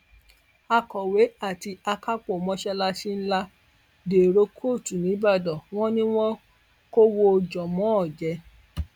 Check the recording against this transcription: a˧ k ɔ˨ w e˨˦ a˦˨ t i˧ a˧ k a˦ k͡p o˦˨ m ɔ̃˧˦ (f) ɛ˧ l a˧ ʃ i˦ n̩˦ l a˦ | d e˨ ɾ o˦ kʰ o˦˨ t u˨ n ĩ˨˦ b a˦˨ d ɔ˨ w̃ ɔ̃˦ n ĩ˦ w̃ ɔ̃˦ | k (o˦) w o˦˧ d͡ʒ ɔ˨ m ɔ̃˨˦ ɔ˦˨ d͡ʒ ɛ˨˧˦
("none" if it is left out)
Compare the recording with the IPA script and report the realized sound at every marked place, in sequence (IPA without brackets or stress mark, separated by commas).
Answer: ʃ, o˦